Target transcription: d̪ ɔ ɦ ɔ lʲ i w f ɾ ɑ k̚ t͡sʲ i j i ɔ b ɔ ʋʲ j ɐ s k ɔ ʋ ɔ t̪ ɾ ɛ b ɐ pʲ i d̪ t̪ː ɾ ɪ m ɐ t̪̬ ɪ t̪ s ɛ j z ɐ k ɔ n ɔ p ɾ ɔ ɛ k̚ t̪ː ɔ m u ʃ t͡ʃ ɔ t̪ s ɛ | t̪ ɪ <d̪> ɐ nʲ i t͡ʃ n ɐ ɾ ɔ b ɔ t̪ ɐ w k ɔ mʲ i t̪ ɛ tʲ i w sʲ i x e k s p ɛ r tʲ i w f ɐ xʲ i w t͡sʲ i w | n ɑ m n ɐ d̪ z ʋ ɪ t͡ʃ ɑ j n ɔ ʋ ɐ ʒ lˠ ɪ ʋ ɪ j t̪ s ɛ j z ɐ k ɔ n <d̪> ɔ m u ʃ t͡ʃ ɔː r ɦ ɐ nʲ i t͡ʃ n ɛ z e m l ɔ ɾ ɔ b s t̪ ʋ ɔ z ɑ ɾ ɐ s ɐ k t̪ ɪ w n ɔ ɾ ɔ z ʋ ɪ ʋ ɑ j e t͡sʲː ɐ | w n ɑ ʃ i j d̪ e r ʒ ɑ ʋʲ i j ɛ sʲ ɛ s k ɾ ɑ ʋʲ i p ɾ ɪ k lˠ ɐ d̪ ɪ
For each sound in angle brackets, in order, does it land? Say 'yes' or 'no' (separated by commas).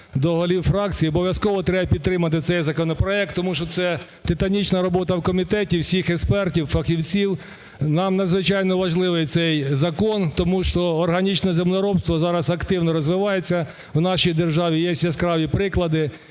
no, no